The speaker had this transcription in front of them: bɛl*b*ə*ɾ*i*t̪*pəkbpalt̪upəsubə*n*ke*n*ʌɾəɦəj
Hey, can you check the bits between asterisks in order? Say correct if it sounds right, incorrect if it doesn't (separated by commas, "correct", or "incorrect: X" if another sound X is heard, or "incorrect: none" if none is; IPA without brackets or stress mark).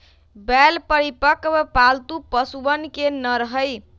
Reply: incorrect: p, correct, incorrect: none, correct, correct